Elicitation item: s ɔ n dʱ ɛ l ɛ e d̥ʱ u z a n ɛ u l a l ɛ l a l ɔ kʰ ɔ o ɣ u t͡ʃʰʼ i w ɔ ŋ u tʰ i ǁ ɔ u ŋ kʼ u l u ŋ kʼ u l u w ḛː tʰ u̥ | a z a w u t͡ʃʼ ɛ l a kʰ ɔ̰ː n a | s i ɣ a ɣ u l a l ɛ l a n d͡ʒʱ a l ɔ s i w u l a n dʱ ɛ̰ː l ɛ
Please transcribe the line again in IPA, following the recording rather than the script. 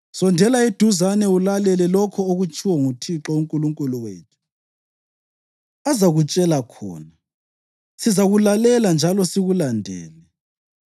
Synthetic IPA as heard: s ɔ n dʱ ɛ l a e d̥ʱ u z a n ɛ u l a l ɛ l ɛ l ɔ kʰ ɔ o ɣ u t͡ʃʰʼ i w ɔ ŋ u tʰ i ǁ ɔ u ŋ kʼ u l u ŋ kʼ u l u w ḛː tʰ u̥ | a z a ɣ u t͡ʃʼ ɛ l a kʰ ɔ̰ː n a | s i z a ɣ u l a l ɛ l a n d͡ʒʱ a l ɔ s i ɣ u l a n dʱ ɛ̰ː l ɛ